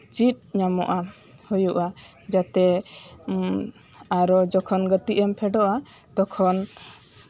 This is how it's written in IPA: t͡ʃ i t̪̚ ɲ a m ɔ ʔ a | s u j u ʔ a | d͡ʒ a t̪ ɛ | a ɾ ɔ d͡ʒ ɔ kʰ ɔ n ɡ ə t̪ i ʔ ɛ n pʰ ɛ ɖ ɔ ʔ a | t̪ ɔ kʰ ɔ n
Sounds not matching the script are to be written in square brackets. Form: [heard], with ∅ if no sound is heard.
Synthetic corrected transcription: t͡ʃ i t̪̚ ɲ a m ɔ ʔ a | [h] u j u ʔ a | d͡ʒ a t̪ ɛ | a ɾ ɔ d͡ʒ ɔ kʰ ɔ n ɡ ə t̪ i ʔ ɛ [m] pʰ ɛ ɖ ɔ ʔ a | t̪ ɔ kʰ ɔ n